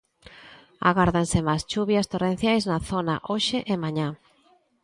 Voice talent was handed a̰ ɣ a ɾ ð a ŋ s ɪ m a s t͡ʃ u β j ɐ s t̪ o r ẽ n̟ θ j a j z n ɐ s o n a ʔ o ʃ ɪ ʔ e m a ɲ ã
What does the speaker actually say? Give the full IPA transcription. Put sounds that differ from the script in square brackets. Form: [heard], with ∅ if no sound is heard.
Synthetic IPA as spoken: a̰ ɣ a ɾ ð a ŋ s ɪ m a s t͡ʃ u β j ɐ s t̪ o r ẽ n̟ θ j a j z n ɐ [θ] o n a ʔ o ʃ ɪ ʔ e m a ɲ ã